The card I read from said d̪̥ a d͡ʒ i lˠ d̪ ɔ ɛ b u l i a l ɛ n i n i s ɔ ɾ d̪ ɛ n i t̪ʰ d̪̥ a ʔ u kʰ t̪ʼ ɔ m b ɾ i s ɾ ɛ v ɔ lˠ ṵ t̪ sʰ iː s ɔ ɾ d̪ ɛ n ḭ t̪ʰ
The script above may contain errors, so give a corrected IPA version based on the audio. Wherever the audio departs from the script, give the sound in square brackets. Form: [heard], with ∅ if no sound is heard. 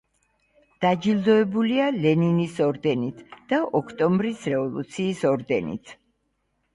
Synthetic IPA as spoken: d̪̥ a d͡ʒ i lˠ d̪ ɔ ɛ b u l i a l ɛ n i n i s ɔ ɾ d̪ ɛ n i t̪ʰ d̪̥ a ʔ [ɔ] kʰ t̪ʼ ɔ m b ɾ i s ɾ ɛ v ɔ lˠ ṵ t̪ sʰ iː s ɔ ɾ d̪ ɛ n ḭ t̪ʰ

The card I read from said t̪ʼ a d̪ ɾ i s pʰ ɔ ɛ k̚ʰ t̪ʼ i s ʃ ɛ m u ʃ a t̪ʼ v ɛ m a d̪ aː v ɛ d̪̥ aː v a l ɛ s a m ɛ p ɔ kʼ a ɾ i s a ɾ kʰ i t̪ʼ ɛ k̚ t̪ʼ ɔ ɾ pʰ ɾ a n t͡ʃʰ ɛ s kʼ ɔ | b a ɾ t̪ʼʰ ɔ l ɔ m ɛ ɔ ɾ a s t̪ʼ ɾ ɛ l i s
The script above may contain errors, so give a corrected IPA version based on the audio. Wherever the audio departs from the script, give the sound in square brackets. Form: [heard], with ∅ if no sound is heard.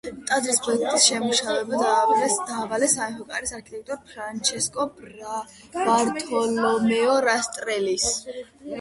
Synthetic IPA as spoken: t̪ʼ a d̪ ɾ i s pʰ ɔ ɛ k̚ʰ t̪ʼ i s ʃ ɛ m u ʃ a [∅] v ɛ [b] a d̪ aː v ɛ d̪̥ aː v a l ɛ s a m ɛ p ɔ kʼ a ɾ i s a ɾ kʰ i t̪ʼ ɛ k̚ t̪ʼ ɔ ɾ pʰ ɾ a n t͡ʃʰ ɛ s kʼ ɔ | b a ɾ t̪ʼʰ ɔ l ɔ m ɛ ɔ ɾ a s t̪ʼ ɾ ɛ l i s

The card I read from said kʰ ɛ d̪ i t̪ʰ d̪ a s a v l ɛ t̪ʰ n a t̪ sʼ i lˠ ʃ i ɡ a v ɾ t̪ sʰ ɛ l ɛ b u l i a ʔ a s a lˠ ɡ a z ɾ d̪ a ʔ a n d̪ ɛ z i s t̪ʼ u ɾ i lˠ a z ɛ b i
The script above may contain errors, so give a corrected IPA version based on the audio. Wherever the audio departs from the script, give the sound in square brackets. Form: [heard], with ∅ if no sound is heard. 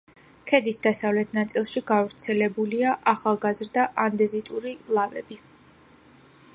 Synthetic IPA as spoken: kʰ ɛ d̪ i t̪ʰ d̪ a s a v l ɛ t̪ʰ n a t̪ sʼ i lˠ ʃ i ɡ a v ɾ t̪ sʰ ɛ l ɛ b u l i a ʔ a [χ] a lˠ ɡ a z ɾ d̪ a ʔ a n d̪ ɛ z i [∅] t̪ʼ u ɾ i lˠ a [v] ɛ b i

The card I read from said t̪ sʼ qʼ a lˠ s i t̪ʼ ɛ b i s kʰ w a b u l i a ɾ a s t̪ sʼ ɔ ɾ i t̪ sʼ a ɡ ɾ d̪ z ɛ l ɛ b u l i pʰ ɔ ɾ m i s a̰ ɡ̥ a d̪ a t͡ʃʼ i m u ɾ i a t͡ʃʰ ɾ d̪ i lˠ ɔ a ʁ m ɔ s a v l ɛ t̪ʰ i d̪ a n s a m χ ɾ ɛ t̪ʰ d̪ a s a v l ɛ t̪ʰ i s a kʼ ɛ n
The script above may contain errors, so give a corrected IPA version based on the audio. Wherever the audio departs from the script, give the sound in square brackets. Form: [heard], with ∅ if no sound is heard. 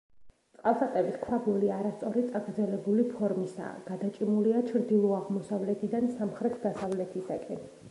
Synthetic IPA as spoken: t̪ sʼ qʼ a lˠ s [a] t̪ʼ ɛ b i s kʰ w a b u l i a ɾ a s t̪ sʼ ɔ ɾ i t̪ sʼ a ɡ ɾ d̪ z ɛ l ɛ b u l i pʰ ɔ ɾ m i s a̰ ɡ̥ a d̪ a t͡ʃʼ i m u [l] i a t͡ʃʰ ɾ d̪ i lˠ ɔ a ʁ m ɔ s a v l ɛ t̪ʰ i d̪ a n s a m χ ɾ ɛ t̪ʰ d̪ a s a v l ɛ t̪ʰ i s a kʼ ɛ n

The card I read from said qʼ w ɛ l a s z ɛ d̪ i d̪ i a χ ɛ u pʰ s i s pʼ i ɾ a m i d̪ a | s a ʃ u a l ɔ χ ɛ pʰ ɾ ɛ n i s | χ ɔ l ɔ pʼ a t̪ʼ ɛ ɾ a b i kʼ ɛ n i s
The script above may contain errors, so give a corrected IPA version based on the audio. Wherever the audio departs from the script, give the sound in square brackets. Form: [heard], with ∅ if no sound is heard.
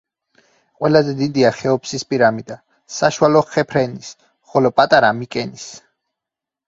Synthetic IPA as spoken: qʼ w ɛ l a [∅] z ɛ d̪ i d̪ i a χ ɛ [ɔ] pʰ s i s pʼ i ɾ a m i d̪ a | s a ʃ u a l ɔ χ ɛ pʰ ɾ ɛ n i s | χ ɔ l ɔ pʼ a t̪ʼ [a] ɾ a [m] i kʼ ɛ n i s

